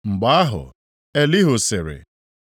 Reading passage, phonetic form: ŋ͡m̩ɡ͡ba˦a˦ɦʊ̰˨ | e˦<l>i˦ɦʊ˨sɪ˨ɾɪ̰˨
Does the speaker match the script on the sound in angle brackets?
yes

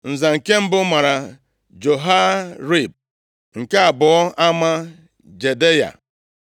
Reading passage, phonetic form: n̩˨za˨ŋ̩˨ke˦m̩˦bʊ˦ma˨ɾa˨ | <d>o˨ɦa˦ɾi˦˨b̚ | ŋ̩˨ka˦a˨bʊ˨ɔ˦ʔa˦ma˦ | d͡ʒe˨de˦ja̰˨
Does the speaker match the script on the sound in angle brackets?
no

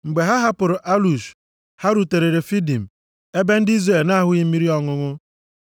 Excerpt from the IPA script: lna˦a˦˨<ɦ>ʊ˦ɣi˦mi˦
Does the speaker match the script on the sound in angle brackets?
yes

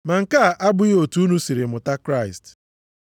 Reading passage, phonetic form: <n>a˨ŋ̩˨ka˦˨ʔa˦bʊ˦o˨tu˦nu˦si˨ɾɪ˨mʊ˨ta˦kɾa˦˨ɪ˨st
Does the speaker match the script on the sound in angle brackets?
no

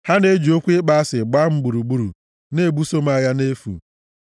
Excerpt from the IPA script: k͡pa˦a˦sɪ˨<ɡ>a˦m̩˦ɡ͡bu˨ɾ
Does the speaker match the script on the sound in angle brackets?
no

